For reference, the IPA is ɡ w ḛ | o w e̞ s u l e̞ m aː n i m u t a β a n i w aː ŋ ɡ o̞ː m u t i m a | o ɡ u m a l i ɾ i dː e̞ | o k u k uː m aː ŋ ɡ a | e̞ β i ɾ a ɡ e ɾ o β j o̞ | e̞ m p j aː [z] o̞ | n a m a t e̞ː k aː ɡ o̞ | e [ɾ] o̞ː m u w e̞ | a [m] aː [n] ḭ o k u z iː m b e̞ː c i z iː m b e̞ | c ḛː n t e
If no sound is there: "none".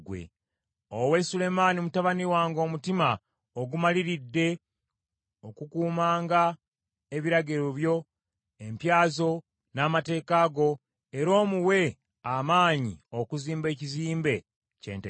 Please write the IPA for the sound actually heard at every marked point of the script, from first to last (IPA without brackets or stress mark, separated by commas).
z, ɾ, m, ɲ